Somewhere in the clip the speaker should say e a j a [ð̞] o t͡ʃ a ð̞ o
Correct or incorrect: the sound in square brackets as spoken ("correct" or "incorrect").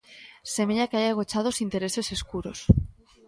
incorrect